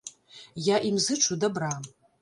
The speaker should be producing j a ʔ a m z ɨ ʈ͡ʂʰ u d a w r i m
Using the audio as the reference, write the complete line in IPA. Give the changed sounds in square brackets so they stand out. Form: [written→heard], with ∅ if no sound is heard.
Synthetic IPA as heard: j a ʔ [a→i] m z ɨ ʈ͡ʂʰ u d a [w→b] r [i→a] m